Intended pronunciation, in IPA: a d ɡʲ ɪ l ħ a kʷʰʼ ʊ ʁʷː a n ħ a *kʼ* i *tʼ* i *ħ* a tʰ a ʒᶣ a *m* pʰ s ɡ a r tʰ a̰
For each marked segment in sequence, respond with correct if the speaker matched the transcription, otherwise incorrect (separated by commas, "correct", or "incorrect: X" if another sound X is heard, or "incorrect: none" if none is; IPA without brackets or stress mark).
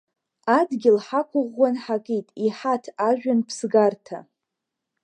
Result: correct, correct, correct, incorrect: n